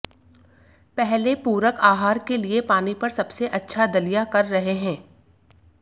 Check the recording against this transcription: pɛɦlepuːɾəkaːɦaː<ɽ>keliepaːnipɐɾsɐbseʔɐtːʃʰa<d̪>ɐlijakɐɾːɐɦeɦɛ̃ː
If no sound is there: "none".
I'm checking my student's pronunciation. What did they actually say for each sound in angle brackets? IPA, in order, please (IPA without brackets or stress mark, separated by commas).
ɾ, d̪